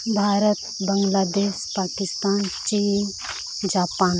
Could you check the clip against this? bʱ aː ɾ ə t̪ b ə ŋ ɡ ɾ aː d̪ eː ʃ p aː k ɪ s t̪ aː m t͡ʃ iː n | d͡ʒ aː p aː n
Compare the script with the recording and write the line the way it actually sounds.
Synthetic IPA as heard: bʱ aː ɾ ə t̪ b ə ŋ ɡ l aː d̪ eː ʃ p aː k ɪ s t̪ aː n t͡ʃ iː n | d͡ʒ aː p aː n